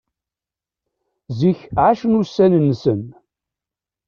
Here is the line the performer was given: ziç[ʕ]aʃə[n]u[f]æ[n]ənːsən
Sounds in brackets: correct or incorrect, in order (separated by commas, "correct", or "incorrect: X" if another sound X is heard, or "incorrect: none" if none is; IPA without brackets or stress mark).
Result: correct, correct, incorrect: s, correct